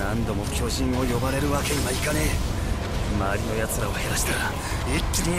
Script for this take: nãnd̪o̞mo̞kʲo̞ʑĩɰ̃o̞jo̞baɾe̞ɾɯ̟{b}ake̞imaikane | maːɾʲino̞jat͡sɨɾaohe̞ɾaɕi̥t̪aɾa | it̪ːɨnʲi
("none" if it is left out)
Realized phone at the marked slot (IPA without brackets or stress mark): β